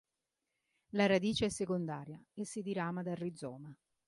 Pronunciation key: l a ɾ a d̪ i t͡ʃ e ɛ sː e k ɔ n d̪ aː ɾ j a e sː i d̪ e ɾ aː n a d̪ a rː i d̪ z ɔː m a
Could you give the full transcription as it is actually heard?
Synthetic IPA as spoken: l a ɾ a d̪ iː t͡ʃ e ɛ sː e k o n d̪ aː ɾ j a e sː i d̪ i ɾ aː m a d̪ a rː i d̪ z ɔː m a

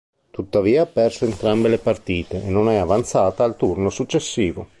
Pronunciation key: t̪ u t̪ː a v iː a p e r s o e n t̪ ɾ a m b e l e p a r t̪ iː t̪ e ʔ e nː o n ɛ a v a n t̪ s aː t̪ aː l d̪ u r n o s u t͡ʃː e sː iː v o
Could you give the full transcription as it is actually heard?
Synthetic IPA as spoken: t̪ u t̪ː a v iː a p ɛ r s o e n t̪ ɾ a m b e l e p a r t̪ iː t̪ e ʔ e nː o n ɛ a v a n t̪ s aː t̪ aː l t̪ u r n o s u t͡ʃː e sː iː v o

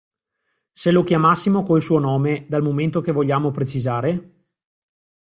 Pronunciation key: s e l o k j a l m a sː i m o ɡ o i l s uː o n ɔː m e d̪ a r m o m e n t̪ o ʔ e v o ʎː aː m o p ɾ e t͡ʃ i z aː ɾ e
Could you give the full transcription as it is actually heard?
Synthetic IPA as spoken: s e l o k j a m a sː i m o k o i l s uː o n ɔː m e d̪ a l m o m e n t̪ o k e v o ʎː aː m o p ɾ e t͡ʃ i z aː ɾ e

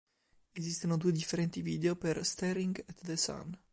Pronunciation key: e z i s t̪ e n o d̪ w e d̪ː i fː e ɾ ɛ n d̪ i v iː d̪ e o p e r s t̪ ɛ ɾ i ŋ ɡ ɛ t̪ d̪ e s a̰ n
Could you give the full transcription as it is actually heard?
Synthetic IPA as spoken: e z i s t̪ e n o d̪ u e d̪ i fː e ɾ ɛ n t̪ i v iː d̪ e o p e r s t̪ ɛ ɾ i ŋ ɡ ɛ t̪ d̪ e s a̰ n

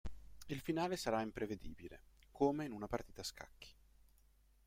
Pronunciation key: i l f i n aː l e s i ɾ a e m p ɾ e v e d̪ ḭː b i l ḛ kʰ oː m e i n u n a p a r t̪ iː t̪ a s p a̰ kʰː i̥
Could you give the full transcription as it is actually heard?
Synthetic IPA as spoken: i l f i n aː l e s a ɾ a i m p ɾ e v e d̪ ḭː b i l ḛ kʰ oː m e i n u n a p a r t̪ iː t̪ a s k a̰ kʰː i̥

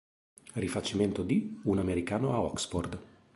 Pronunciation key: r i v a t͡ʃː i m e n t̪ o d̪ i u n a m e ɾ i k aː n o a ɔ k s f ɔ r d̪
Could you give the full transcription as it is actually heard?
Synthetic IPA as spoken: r i f a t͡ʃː i m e n t̪ o d̪ i u n a m e ɾ i k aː n o a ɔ k s f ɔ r d̪

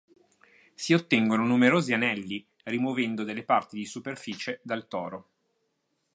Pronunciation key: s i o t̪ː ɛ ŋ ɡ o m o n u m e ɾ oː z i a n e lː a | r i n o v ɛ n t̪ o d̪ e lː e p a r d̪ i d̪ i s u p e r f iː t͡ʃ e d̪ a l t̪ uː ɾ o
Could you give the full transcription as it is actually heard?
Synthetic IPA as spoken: s i o t̪ː ɛ ŋ ɡ o n o n u m e ɾ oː z i a n ɛ lː i | r i m o v ɛ n d̪ o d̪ e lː e p a r t̪ i d̪ i s u p e r f iː t͡ʃ e d̪ a l t̪ ɔː ɾ o

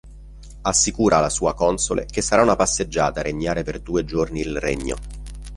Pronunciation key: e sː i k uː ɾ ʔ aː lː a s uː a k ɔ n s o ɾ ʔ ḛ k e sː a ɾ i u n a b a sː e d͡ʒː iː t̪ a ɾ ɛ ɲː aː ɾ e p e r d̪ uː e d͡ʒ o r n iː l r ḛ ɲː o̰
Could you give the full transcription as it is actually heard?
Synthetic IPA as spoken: a sː i k uː ɾ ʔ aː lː a s uː a k ɔ n s o l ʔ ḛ k e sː a ɾ a u n a p a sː e d͡ʒː aː t̪ a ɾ e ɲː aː ɾ e p e r d̪ uː e d͡ʒ o r n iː l r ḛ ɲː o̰

